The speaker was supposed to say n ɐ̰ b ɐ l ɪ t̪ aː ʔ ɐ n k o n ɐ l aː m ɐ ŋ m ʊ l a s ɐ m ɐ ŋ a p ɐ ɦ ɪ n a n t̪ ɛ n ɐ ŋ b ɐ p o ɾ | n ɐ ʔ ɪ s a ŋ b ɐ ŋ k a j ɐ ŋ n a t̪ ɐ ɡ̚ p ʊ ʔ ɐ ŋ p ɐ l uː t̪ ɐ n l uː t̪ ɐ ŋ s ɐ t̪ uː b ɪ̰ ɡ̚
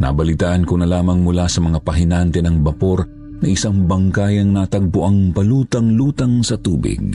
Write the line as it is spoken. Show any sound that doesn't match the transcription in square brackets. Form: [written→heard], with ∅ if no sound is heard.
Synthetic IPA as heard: n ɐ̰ b ɐ l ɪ t̪ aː ʔ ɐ n k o n ɐ l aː m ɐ ŋ m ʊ l a s ɐ m ɐ ŋ a p ɐ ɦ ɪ n a n t̪ ɛ n ɐ ŋ b ɐ p o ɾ | n ɐ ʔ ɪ s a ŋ b ɐ ŋ k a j ɐ ŋ n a t̪ ɐ ɡ̚ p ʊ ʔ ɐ ŋ p ɐ l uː t̪ ɐ [n→ŋ] l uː t̪ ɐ ŋ s ɐ t̪ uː b ɪ̰ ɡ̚